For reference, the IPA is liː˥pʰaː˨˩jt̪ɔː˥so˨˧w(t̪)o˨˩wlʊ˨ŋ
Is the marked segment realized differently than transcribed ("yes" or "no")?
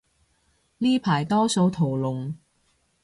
yes